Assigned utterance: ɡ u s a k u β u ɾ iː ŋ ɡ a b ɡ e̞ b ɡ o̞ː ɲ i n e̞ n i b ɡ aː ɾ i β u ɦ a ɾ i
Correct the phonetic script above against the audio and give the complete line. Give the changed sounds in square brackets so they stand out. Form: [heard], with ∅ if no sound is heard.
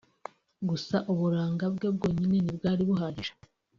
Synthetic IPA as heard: ɡ u s a [ʔ] u β u ɾ [aː] ŋ ɡ a b ɡ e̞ b ɡ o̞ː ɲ i n e̞ n i b ɡ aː ɾ i β u ɦ a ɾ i